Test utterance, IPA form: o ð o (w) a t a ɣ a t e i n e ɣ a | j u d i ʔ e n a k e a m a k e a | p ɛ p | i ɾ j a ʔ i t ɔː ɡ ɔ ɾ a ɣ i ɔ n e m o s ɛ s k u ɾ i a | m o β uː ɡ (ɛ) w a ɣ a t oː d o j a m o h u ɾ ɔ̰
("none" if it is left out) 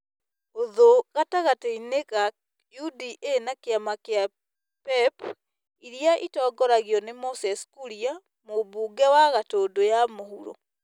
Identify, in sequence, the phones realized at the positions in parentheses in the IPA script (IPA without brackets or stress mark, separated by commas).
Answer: ɣ, ɛ